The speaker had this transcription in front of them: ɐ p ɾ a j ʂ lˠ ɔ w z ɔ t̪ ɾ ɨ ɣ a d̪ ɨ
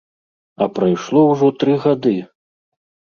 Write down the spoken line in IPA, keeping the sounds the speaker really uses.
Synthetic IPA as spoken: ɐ p ɾ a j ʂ lˠ ɔ w ʐ ɔ t̪ ɾ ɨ ɣ a d̪ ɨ

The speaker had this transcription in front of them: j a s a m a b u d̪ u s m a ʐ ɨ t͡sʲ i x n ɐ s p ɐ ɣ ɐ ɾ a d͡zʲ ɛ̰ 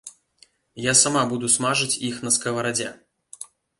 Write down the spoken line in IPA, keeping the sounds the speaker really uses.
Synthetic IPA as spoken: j a s a m a b u d̪ u s m a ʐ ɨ t͡sʲ i x n ɐ s k ɐ v ɐ ɾ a d͡zʲ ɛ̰

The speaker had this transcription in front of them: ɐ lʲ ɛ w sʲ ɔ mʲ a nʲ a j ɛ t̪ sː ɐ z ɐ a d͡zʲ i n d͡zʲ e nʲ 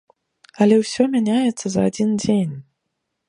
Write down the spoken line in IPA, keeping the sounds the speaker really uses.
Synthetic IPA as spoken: ɐ lʲ ɛ w sʲ ɔ mʲ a nʲ a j ɛ t̪ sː ɐ z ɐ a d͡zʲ i n d͡zʲ e nʲ

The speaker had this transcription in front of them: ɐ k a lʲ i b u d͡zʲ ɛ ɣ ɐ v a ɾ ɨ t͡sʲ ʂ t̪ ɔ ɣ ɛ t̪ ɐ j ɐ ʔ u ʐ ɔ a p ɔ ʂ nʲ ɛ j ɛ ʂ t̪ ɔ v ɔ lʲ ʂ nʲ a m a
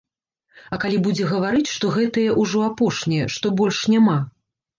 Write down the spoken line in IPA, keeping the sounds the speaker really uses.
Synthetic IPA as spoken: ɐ k a lʲ i b u d͡zʲ ɛ ɣ ɐ v a ɾ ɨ t͡sʲ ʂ t̪ ɔ ɣ ɛ t̪ ɐ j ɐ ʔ u ʐ ɔ a p ɔ ʂ nʲ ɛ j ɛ ʂ t̪ ɔ b ɔ lʲ ʂ nʲ a m a

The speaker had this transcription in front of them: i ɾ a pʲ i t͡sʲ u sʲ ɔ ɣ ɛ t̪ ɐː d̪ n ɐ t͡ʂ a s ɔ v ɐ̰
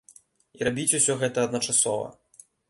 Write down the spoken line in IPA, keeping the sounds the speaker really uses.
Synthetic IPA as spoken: i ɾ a bʲ i t͡sʲ u sʲ ɔ ɣ ɛ t̪ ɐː d̪ n ɐ t͡ʂ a s ɔ v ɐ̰

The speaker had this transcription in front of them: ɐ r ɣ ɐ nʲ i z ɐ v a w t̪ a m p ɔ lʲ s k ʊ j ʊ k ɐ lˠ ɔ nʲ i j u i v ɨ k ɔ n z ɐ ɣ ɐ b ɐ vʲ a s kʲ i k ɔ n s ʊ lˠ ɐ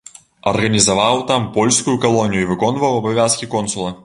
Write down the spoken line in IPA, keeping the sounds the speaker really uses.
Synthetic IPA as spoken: ɐ r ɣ ɐ nʲ i z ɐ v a w t̪ a m p ɔ lʲ s k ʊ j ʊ k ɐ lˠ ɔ nʲ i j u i v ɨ k ɔ n v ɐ w ɐ b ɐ vʲ a s kʲ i k ɔ n s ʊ lˠ ɐ

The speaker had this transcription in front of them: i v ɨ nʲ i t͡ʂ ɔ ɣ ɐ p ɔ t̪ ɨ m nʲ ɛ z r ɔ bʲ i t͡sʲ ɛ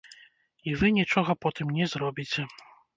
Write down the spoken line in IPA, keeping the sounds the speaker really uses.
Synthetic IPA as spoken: i v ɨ nʲ i t͡ʂ ɔ ɣ ɐ p ɔ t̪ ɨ m nʲ ɛ z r ɔ bʲ i t͡sʲ ɛ

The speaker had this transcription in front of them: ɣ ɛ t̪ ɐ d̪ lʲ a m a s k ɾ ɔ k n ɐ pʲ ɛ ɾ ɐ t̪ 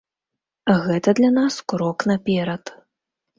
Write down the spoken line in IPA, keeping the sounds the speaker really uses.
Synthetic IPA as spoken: ɣ ɛ t̪ ɐ d̪ lʲ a n a s k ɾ ɔ k n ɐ pʲ ɛ ɾ ɐ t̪

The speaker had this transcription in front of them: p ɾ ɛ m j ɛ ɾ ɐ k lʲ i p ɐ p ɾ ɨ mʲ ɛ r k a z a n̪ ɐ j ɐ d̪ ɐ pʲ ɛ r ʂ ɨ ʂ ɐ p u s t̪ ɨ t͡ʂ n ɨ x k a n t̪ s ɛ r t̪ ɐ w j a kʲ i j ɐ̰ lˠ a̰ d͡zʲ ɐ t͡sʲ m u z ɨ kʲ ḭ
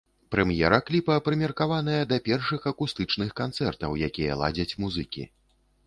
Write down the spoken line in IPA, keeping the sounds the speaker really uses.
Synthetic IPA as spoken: p ɾ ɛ m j ɛ ɾ ɐ k lʲ i p ɐ p ɾ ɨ mʲ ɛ r k a v a n̪ ɐ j ɐ d̪ ɐ pʲ ɛ r ʂ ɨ x ɐ k u s t̪ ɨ t͡ʂ n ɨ x k a n t̪ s ɛ r t̪ ɐ w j a kʲ i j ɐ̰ lˠ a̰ d͡zʲ ɐ t͡sʲ m u z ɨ kʲ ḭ

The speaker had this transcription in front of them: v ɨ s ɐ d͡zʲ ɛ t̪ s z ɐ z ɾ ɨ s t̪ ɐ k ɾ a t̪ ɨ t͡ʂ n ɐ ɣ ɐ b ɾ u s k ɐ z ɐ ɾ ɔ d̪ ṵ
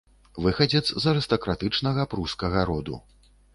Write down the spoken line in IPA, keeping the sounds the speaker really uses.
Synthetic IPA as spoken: v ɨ x ɐ d͡zʲ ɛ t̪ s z ɐ ɾ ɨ s t̪ ɐ k ɾ a t̪ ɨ t͡ʂ n ɐ ɣ ɐ p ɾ u s k ɐ ɣ ɐ ɾ ɔ d̪ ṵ

